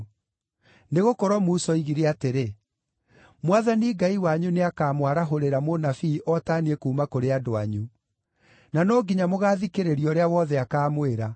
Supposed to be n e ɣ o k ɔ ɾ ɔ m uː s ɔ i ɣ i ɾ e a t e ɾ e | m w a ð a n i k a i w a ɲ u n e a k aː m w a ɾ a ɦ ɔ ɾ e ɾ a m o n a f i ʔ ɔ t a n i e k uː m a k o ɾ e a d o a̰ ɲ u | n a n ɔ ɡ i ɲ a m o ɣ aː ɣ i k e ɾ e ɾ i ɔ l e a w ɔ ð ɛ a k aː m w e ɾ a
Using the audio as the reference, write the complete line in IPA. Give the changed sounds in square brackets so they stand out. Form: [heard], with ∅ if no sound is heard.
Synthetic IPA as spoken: n e ɣ o k ɔ ɾ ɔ m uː s ɔ i ɣ i ɾ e a t e ɾ e | m w a ð a n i [ɡ] a i w a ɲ u n e a k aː m w a ɾ a ɦ [o] ɾ e ɾ a m o n a f i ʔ ɔ t a n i e k uː m a k o ɾ e a d o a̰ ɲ u | n a n ɔ ɡ i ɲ a m o ɣ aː [ð] i k e ɾ e ɾ i ɔ [ɾ] e a w ɔ ð ɛ a k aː m w e ɾ a